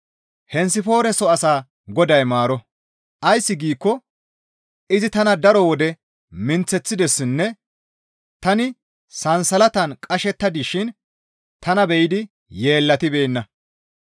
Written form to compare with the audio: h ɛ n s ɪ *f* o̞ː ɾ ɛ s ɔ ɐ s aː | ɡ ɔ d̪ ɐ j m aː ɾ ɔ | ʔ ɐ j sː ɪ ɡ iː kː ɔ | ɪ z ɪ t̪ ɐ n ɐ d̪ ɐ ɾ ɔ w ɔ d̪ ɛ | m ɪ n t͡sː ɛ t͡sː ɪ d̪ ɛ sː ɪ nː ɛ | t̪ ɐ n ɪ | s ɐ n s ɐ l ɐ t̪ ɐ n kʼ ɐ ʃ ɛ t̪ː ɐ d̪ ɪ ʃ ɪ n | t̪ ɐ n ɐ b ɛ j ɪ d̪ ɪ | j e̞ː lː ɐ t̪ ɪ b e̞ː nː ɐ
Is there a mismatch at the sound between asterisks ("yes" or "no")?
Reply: no